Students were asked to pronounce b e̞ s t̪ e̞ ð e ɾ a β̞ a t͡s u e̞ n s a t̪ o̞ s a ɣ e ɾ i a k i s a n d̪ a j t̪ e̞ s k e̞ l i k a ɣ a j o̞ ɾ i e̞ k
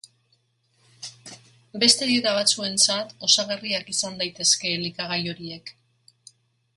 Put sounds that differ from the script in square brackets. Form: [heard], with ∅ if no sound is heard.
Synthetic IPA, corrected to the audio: b e̞ s t̪ e̞ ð e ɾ a β̞ a t͡s u e̞ n [t͡s] a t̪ o̞ s a ɣ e [r] i a k i s a n d̪ a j t̪ e̞ s k e̞ l i k a ɣ a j o̞ ɾ i e̞ k